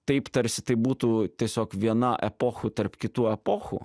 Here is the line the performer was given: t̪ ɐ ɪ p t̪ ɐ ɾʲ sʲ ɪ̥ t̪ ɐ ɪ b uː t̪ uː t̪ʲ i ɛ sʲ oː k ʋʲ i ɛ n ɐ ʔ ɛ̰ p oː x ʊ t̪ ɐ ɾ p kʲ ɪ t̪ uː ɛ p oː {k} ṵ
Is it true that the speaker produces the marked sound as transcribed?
no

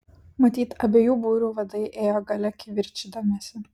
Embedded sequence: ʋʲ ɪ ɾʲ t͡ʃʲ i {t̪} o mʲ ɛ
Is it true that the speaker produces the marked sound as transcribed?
no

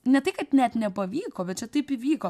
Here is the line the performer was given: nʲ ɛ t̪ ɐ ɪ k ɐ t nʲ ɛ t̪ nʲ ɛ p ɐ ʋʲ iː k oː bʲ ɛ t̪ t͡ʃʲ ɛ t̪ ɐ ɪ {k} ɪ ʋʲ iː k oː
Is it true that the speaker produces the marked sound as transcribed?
no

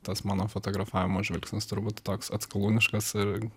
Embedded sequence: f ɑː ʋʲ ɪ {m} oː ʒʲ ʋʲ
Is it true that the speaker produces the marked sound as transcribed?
yes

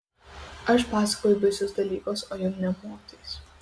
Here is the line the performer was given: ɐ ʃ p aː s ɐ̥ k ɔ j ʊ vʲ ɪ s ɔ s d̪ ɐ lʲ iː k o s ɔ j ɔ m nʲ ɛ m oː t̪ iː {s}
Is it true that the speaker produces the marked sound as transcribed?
yes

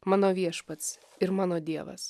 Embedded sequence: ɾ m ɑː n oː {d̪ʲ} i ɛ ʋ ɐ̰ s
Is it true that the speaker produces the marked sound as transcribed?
yes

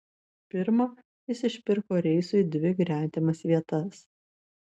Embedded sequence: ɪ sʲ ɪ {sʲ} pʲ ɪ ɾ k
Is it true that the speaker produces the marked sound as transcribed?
no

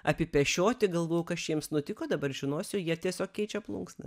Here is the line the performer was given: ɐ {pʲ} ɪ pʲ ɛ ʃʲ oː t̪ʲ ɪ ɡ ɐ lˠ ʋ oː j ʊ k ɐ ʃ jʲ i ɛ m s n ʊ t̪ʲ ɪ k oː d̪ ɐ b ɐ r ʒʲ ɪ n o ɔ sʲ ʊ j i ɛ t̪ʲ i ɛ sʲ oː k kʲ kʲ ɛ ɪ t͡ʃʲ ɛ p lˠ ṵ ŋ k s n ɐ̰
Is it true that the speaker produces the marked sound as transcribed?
yes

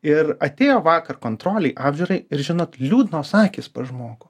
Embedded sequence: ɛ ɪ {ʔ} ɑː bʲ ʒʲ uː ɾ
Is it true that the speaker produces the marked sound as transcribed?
yes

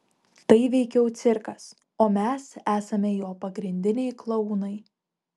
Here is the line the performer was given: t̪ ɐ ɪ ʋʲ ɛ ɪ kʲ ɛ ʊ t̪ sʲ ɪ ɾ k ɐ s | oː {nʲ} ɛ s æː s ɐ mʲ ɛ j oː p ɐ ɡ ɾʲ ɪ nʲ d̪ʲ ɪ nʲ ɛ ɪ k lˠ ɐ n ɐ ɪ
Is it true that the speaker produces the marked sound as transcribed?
no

